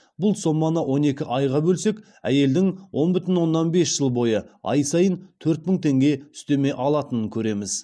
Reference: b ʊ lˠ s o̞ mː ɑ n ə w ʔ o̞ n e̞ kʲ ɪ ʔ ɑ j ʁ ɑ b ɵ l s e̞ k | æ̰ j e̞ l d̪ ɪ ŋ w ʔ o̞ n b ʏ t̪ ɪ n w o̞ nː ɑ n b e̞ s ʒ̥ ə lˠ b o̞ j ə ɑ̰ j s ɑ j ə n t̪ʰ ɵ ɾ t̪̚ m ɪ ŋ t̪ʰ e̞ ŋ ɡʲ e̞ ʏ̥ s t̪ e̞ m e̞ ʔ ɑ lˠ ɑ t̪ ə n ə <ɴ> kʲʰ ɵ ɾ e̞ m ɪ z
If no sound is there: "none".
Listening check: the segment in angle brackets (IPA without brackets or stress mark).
ŋ